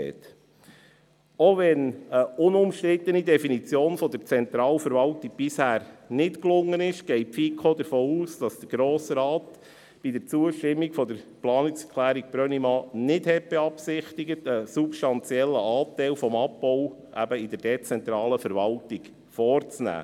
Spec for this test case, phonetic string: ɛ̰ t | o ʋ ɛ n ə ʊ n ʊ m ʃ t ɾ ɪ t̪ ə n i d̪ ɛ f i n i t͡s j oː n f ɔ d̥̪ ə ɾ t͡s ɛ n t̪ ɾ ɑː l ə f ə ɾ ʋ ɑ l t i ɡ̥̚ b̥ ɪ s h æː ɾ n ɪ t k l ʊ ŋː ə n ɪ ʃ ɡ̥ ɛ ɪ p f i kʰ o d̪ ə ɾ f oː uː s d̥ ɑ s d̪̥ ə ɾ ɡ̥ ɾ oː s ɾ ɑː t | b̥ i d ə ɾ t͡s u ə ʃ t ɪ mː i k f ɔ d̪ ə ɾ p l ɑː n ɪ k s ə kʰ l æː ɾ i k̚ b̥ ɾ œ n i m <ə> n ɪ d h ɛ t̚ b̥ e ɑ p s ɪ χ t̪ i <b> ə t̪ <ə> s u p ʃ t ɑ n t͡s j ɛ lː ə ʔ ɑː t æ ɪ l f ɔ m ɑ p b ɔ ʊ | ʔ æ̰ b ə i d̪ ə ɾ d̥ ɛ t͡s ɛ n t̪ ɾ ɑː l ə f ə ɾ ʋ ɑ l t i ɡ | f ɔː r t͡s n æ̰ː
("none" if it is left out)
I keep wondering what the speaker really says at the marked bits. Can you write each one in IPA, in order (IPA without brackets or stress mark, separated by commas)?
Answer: ɑ, ɡ, ə